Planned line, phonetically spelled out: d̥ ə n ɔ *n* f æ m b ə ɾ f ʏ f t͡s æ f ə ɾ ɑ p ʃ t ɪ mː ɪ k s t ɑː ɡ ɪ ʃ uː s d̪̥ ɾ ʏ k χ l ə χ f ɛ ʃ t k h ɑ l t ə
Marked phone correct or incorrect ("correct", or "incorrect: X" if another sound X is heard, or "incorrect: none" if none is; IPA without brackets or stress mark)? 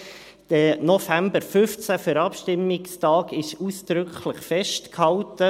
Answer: incorrect: none